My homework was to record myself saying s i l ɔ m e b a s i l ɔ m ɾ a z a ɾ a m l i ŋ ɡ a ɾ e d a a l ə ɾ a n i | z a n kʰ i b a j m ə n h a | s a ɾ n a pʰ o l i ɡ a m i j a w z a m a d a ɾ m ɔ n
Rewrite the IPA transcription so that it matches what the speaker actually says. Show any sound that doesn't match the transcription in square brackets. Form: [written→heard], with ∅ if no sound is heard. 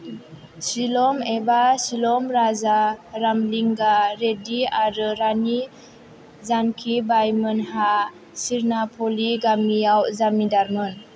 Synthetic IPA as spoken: s i l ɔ m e b a s i l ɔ m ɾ a z a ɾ a m l i ŋ ɡ a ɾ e d [a→i] a [l→ɾ] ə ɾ a n i | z a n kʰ i b a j m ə n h a | s [a→i] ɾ n a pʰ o l i ɡ a m i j a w z a m [a→i] d a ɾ m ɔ n

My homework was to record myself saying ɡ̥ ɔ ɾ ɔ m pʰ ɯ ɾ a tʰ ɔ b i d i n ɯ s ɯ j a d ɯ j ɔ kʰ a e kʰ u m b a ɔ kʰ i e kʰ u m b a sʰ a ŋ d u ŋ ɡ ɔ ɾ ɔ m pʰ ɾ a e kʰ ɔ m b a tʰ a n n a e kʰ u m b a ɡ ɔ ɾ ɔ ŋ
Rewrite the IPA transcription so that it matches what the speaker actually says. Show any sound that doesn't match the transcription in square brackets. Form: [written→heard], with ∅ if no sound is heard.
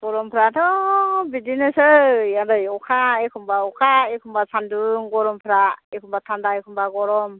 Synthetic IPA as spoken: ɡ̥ ɔ ɾ ɔ m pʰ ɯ ɾ a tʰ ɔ b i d i n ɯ s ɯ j a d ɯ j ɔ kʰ a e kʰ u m b a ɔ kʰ [i→a] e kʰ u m b a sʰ a [ŋ→n] d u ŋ ɡ ɔ ɾ ɔ m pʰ ɾ a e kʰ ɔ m b a tʰ a n [n→d] a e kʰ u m b a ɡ ɔ ɾ ɔ [ŋ→m]

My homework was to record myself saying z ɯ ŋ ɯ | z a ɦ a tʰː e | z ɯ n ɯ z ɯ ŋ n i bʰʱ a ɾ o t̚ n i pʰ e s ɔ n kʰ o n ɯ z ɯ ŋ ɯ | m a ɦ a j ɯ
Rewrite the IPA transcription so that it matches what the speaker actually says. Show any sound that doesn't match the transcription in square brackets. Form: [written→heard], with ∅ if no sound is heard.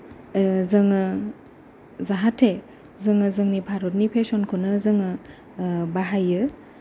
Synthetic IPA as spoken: z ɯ ŋ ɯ | z a ɦ a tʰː e | z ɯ [n→ŋ] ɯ z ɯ ŋ n i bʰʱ a ɾ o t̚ n i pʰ e s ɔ n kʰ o n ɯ z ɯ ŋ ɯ | [m→b] a ɦ a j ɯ

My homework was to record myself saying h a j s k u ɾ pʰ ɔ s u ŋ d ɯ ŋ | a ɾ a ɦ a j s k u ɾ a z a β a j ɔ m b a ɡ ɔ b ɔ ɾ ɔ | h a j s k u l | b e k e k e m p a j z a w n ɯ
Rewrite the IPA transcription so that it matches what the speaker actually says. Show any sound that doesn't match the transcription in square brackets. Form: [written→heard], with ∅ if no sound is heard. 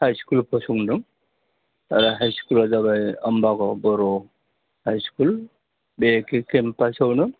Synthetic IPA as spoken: h a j s k u [ɾ→l] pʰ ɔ s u ŋ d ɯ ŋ | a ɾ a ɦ a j s k u [ɾ→l] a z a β a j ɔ m b a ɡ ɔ b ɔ ɾ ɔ | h a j s k u l | b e k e k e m p a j [z→s] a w n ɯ

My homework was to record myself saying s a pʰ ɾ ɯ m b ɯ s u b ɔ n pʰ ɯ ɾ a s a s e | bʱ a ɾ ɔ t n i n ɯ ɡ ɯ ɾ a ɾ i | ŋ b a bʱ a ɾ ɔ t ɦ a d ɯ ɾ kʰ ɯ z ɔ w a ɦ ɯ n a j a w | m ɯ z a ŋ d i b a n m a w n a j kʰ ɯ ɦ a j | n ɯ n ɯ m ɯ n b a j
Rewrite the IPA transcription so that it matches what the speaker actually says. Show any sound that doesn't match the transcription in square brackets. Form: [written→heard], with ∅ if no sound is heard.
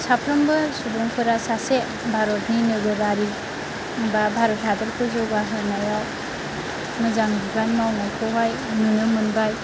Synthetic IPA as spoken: s a pʰ ɾ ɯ m b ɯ s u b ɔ [n→ŋ] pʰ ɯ ɾ a s a s e | bʱ a ɾ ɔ t n i n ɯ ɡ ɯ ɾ a ɾ i | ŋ b a bʱ a ɾ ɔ t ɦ a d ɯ ɾ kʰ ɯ z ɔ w a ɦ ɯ n a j a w | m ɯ z a ŋ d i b a n m a w n a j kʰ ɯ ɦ a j | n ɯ n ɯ m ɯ n b a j

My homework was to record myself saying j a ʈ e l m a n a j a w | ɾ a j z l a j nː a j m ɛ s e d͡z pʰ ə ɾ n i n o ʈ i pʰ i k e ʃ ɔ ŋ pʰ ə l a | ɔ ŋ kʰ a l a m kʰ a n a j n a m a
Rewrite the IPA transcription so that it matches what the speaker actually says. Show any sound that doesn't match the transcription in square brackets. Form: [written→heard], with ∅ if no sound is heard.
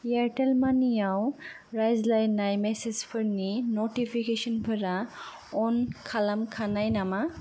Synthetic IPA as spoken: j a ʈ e l m a n [a→i] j a w | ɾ a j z l a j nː a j m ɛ s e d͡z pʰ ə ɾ n i n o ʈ i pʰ i k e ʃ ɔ [ŋ→n] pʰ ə [l→ɾ] a | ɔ [ŋ→n] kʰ a l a m kʰ a n a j n a m a

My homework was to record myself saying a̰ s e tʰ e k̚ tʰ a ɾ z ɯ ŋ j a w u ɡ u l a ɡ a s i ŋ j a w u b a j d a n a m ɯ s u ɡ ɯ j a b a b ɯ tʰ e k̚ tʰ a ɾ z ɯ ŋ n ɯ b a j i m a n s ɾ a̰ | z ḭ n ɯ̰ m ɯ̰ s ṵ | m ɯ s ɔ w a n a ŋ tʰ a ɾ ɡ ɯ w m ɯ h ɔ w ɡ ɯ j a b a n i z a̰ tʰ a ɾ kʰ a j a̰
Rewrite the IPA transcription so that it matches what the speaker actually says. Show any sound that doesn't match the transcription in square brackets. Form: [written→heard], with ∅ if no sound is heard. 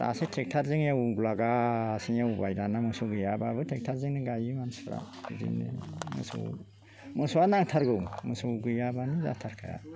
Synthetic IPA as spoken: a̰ s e tʰ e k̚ tʰ a ɾ z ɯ ŋ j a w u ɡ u l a ɡ a s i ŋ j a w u b a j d a n a m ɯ s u ɡ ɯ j a b a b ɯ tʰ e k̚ tʰ a ɾ z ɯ ŋ n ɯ [b→ɡ] a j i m a n s ɾ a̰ | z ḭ n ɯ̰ m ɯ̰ s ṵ | m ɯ s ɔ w a n a ŋ tʰ a ɾ ɡ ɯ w m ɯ [h→s] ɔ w ɡ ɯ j a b a n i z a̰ tʰ a ɾ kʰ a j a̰

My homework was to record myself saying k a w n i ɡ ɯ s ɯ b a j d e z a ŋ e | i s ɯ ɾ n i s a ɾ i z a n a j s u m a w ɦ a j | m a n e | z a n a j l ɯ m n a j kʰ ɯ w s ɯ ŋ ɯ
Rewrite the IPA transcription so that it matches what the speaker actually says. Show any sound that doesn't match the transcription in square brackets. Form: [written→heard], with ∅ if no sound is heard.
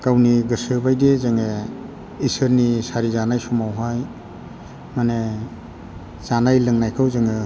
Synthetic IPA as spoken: k a w n i ɡ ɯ s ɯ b a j d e z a ŋ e | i s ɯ ɾ n i s a ɾ i z a n a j s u m a w ɦ a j | m a n e | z a n a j l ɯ [m→ŋ] n a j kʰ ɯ w [s→z] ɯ ŋ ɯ

